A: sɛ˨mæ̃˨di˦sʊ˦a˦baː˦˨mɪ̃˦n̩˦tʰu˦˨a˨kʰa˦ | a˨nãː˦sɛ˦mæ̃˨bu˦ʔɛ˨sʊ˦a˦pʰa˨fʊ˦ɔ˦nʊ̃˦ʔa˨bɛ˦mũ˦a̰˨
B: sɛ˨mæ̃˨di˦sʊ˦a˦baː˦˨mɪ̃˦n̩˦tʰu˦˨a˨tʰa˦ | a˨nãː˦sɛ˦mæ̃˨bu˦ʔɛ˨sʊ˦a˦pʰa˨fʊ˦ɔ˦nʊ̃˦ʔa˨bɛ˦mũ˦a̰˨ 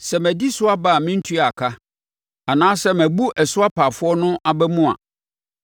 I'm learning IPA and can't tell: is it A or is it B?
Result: A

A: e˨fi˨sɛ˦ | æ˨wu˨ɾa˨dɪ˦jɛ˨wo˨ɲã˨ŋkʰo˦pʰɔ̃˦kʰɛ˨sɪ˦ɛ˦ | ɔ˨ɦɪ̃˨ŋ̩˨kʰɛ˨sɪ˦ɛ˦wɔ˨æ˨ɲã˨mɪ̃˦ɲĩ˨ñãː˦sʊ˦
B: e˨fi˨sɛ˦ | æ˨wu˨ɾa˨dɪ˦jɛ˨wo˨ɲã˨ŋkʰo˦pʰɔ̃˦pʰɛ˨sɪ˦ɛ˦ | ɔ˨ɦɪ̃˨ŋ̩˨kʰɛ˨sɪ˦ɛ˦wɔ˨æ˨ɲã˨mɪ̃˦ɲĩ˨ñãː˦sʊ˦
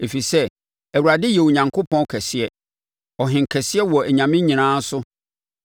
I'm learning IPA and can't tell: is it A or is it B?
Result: A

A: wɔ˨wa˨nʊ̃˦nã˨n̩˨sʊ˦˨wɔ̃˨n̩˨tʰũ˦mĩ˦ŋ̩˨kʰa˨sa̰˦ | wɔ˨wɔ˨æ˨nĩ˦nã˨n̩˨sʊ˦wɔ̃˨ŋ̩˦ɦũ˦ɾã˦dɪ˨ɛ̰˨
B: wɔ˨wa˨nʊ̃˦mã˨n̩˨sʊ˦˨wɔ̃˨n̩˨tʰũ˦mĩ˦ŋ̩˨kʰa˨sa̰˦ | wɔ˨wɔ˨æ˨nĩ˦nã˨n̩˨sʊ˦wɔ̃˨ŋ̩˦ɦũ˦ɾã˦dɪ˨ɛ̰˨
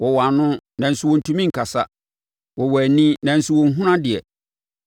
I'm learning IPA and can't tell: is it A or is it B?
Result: A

